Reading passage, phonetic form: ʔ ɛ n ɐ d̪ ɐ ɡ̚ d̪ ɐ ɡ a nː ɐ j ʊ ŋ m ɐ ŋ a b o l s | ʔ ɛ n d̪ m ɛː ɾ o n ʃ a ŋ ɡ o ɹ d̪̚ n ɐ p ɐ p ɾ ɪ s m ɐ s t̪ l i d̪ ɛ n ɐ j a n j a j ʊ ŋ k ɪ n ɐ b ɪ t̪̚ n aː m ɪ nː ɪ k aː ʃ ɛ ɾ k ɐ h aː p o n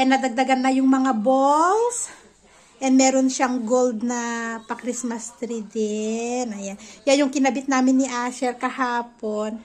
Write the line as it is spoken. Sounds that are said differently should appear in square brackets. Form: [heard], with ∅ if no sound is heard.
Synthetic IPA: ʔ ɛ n ɐ d̪ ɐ ɡ̚ d̪ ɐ ɡ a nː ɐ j ʊ ŋ m ɐ ŋ a b o l s | ʔ ɛ n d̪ m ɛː ɾ o n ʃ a ŋ ɡ o [l] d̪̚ n ɐ p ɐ [k] ɾ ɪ s m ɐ s t̪ [ɾ] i d̪ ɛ n ɐ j a n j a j ʊ ŋ k ɪ n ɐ b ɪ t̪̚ n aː m ɪ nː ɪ [ʔ] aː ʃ ɛ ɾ k ɐ h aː p o n